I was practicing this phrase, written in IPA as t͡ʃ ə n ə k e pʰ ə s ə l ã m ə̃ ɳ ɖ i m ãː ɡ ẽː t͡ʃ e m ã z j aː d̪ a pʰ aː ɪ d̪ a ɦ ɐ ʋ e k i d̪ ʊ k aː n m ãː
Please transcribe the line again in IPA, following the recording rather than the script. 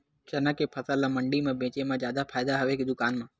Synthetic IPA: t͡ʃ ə n ə k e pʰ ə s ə l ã m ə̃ ɳ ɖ i m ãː b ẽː t͡ʃ e m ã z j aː d̪ a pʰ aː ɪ d̪ a ɦ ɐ ʋ e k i d̪ ʊ k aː n m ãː